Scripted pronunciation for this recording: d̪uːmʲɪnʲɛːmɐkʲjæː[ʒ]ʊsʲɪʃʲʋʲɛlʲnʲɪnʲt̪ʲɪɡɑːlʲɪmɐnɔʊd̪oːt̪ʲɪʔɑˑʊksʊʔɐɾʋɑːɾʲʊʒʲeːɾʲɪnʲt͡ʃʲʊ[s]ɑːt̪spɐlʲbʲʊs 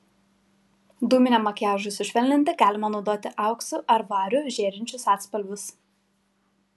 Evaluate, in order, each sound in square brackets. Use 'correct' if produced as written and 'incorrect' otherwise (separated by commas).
correct, correct